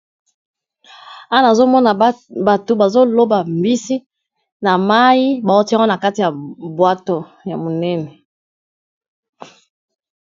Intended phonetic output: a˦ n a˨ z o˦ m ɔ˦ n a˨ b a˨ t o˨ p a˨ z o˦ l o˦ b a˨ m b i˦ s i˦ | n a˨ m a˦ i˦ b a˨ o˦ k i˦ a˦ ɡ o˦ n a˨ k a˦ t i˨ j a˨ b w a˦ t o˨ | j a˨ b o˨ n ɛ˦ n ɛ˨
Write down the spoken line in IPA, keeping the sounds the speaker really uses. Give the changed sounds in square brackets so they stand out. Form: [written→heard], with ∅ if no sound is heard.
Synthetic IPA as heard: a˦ n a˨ z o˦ m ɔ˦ n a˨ b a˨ t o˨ [p→b] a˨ z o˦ l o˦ b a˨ m b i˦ s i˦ | n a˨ m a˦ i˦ b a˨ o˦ [k→t] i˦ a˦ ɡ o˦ n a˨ k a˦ t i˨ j a˨ b w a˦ t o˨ | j a˨ [b→m] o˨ n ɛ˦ n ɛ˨